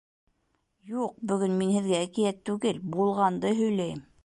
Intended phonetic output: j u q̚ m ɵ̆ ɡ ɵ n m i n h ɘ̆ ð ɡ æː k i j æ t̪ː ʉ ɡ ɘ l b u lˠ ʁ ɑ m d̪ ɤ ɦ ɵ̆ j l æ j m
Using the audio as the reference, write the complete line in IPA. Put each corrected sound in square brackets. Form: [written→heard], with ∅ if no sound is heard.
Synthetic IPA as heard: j u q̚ [m→b] ɵ̆ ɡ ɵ n m i n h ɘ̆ ð ɡ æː k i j æ t̪ː ʉ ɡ ɘ l b u lˠ ʁ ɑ [m→n] d̪ ɤ ɦ ɵ̆ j l æ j m